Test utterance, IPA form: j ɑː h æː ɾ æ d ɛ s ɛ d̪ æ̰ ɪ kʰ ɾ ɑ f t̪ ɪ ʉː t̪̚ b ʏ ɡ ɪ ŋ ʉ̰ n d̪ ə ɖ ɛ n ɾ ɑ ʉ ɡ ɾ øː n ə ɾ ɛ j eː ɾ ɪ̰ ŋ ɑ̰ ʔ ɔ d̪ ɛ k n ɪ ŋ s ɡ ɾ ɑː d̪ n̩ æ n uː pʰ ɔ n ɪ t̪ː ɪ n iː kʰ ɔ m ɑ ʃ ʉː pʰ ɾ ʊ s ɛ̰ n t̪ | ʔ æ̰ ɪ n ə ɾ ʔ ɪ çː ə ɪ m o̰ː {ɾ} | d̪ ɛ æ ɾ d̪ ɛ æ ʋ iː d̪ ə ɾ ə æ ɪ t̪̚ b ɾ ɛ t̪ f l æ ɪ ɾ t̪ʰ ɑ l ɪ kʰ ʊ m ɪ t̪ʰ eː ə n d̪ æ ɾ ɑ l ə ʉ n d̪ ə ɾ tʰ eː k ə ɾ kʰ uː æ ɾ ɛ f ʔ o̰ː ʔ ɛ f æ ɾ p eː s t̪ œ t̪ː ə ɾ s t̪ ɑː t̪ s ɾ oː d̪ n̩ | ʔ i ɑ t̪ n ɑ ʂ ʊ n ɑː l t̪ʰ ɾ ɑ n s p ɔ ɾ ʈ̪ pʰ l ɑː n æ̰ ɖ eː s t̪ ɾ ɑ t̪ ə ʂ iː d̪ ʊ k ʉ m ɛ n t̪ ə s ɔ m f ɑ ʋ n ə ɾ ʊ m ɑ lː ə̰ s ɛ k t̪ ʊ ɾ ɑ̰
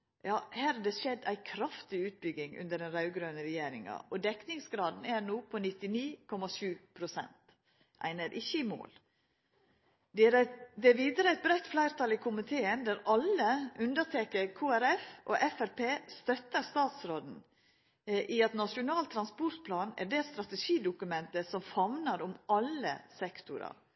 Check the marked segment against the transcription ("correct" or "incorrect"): incorrect